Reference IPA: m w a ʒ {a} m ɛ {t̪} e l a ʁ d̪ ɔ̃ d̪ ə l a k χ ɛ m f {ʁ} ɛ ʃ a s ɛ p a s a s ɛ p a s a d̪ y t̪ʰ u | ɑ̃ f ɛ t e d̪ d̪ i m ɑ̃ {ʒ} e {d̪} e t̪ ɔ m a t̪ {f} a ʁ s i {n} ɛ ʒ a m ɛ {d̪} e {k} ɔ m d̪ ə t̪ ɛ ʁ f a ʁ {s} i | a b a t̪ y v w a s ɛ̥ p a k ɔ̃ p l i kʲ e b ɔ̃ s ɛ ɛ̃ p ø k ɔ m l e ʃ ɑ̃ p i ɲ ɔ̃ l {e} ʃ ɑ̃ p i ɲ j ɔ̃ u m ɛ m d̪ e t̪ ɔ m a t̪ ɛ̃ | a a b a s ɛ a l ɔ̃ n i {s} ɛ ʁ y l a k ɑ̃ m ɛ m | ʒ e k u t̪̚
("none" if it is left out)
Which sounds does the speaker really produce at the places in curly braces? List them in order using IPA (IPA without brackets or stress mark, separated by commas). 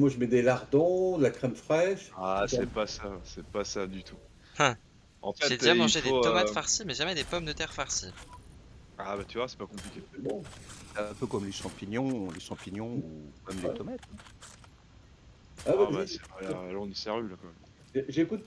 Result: ə, d̪, χ, ʒ, d̪, f, m, d̪, p, s, e, s